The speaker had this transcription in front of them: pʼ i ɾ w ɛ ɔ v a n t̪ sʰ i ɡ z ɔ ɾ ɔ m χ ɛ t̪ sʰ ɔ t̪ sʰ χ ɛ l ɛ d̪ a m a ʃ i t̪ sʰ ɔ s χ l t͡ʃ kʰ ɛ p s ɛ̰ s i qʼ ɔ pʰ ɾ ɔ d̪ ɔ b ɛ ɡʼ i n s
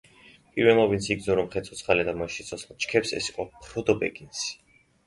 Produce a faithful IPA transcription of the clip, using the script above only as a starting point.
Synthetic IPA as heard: pʼ i ɾ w ɛ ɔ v i n t̪ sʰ i ɡ z ɔ ɾ ɔ m χ ɛ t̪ sʰ ɔ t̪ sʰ χ a l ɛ d̪ a m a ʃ i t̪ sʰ ɔ s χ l t͡ʃ kʰ ɛ p s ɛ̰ s i qʼ ɔ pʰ ɾ ɔ d̪ ɔ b ɛ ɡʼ i n s